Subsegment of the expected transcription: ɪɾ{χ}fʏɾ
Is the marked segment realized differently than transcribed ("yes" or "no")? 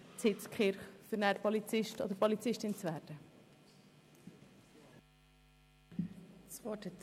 no